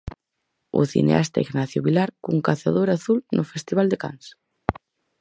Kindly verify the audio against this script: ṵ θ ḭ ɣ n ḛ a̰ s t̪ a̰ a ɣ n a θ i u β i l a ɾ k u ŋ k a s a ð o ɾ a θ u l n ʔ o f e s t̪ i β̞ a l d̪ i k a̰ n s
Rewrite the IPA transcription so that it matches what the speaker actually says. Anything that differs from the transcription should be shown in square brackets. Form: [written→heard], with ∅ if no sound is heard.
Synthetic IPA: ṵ θ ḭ [ɣ→∅] n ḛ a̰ s t̪ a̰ [a→i] ɣ n a θ [i→j] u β i l a ɾ k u ŋ k a [s→θ] a ð o ɾ a θ u l n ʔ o f e s t̪ i β̞ a l d̪ [i→e] k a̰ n s